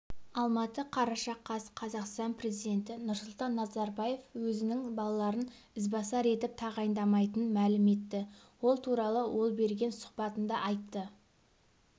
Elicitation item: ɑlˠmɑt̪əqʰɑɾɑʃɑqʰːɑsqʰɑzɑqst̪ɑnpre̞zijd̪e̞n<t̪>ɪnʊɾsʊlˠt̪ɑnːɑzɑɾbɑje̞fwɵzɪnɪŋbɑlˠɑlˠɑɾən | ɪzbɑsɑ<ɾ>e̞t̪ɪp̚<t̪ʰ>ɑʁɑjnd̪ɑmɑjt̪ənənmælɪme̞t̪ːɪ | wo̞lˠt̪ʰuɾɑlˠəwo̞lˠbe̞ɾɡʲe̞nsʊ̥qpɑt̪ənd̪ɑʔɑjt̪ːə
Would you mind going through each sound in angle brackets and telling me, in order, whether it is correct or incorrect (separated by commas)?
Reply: correct, correct, correct